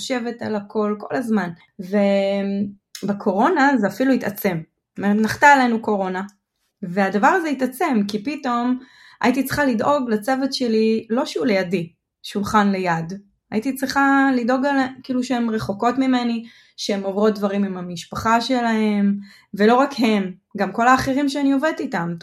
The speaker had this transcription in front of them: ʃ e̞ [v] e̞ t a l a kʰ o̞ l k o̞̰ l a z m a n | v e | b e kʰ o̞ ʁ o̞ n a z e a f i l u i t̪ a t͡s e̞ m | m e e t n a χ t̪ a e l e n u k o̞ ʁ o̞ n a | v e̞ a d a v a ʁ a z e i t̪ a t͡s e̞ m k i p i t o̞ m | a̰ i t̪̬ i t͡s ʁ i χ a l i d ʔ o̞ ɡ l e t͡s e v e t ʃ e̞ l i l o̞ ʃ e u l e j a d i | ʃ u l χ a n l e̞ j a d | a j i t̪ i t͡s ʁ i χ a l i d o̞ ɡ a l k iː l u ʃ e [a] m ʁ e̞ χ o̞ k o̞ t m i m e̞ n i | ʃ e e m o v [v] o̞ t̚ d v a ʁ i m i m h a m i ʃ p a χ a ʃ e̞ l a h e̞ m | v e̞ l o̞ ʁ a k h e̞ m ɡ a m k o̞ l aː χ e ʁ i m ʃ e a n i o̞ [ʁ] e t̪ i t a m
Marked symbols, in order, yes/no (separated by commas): yes, no, no, no